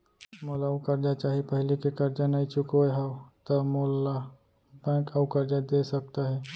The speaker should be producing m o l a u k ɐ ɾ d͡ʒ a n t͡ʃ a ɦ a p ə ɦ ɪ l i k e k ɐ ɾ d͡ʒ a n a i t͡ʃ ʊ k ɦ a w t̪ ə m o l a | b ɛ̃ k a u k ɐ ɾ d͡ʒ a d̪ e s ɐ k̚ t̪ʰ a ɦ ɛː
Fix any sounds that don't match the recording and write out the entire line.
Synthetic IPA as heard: m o l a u k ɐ ɾ d͡ʒ a t͡ʃ a ɦ i p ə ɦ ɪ l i k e k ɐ ɾ d͡ʒ a n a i t͡ʃ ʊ k ɦ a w t̪ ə m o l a | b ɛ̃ k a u k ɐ ɾ d͡ʒ a d̪ e s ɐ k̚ t̪ a ɦ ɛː